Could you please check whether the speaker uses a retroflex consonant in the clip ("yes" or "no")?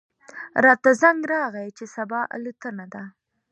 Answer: no